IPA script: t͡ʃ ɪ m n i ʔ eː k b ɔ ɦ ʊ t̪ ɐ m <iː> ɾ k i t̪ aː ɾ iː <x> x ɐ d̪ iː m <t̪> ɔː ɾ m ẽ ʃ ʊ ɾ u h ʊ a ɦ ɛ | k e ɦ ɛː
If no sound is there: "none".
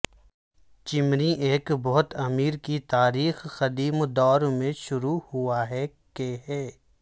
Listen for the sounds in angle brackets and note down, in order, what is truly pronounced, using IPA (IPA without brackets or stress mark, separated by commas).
iː, x, d̪